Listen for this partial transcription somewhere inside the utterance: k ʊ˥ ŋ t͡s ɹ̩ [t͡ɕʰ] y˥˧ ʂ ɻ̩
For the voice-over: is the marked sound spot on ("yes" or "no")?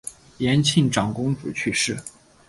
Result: yes